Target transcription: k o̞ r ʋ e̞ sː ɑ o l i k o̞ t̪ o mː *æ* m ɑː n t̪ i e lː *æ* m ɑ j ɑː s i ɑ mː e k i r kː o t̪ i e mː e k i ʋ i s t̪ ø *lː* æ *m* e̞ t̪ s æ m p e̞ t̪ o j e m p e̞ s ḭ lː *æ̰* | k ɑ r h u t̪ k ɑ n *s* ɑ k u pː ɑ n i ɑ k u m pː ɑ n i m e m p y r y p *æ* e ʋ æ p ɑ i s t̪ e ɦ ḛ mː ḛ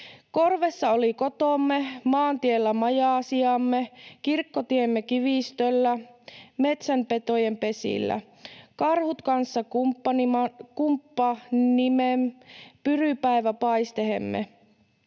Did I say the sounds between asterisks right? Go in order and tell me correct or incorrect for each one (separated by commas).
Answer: incorrect, correct, correct, correct, correct, incorrect, correct